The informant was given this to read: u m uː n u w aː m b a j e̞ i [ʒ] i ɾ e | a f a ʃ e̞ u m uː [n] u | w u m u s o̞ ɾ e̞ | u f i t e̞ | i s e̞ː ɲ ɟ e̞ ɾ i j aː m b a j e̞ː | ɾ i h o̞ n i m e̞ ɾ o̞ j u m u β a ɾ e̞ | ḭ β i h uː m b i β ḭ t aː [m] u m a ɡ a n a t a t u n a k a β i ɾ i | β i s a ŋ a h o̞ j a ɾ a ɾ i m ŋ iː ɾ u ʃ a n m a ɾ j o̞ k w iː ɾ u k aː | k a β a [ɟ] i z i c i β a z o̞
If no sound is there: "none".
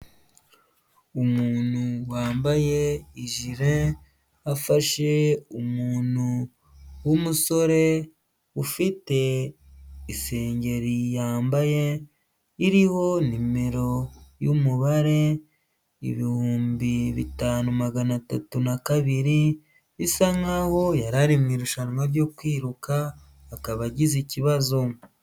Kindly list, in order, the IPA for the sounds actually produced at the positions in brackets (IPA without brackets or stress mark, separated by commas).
ʒ, n, n, ɟ